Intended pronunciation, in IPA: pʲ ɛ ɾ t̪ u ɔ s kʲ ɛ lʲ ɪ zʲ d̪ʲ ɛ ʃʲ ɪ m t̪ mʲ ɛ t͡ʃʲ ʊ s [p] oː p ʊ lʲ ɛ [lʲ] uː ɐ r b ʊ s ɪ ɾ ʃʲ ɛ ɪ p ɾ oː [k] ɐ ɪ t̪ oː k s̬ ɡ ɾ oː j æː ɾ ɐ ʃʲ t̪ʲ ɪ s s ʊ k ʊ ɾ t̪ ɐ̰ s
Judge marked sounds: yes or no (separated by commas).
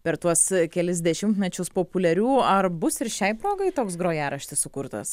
yes, no, no